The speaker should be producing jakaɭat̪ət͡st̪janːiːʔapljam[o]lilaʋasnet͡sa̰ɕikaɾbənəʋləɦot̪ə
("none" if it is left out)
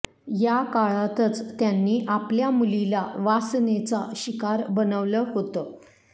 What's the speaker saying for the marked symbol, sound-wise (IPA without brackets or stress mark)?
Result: u